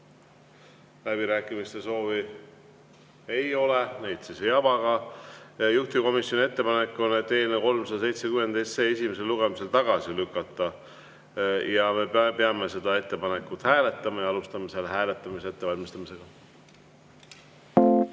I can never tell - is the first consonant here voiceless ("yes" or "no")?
no